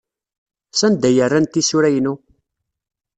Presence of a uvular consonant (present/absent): absent